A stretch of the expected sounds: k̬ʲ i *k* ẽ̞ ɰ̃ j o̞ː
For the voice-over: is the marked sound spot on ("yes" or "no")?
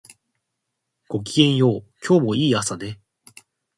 no